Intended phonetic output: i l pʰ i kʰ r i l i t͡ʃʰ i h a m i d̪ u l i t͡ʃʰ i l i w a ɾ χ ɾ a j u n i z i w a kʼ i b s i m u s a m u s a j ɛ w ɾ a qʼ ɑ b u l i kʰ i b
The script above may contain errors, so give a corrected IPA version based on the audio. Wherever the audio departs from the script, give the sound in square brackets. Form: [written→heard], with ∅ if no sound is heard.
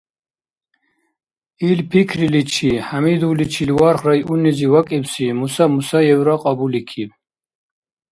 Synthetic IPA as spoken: i l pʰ i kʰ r i l i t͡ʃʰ i h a m i d̪ u l i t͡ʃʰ i l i w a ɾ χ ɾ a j u n i z i w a kʼ i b s i m u s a m u s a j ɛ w ɾ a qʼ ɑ b u l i kʰ i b